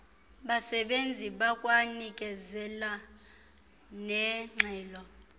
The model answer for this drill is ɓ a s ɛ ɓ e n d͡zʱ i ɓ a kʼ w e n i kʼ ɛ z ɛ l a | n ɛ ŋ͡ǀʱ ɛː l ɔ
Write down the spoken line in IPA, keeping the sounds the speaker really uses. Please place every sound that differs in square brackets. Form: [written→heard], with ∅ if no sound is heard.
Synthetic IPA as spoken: ɓ a s ɛ ɓ e n d͡zʱ i ɓ a kʼ w [e→a] n i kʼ ɛ z ɛ l a | n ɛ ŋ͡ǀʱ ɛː l ɔ